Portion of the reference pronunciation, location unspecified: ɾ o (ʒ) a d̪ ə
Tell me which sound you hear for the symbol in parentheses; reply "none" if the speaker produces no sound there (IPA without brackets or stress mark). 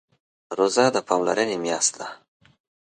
z